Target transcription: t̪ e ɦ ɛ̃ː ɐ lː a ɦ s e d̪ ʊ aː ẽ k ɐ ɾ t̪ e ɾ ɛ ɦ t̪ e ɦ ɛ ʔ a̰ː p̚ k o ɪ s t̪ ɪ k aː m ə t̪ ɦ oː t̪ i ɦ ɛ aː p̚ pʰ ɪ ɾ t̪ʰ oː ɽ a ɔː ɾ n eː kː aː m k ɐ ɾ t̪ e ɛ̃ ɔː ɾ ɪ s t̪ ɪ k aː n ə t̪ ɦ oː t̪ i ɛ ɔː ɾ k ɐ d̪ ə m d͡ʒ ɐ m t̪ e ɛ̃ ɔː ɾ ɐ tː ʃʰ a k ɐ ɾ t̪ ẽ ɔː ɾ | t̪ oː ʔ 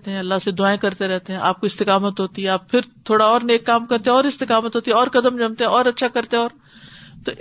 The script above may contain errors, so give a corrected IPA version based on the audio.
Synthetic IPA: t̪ e ɦ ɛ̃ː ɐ lː a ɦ s e d̪ ʊ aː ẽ k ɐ ɾ t̪ e ɾ ɛ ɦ t̪ e ɦ ɛ̃ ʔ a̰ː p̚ k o ɪ s t̪ ɪ k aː m ə t̪ ɦ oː t̪ i ɦ ɛ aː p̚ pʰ ɪ ɾ t̪ʰ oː ɽ a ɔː ɾ n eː kː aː m k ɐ ɾ t̪ e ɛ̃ ɔː ɾ ɪ s t̪ ɪ k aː m ə t̪ ɦ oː t̪ i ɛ ɔː ɾ k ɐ d̪ ə m d͡ʒ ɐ m t̪ e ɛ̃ ɔː ɾ ɐ tː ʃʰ a k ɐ ɾ t̪ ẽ ɔː ɾ | t̪ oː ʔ